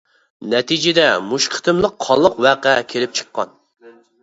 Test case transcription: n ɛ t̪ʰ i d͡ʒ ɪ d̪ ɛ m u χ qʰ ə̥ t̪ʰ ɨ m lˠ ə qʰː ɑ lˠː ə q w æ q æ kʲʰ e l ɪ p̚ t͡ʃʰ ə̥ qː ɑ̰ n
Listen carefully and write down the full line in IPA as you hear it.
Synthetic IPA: n ɛ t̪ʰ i d͡ʒ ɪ d̪ ɛ m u ʃ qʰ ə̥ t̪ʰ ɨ m lˠ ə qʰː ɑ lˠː ə q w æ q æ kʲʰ e l ɪ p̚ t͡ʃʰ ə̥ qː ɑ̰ n